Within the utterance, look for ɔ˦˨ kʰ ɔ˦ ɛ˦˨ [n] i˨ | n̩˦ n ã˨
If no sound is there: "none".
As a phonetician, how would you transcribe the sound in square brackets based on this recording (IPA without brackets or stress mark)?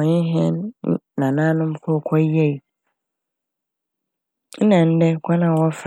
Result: none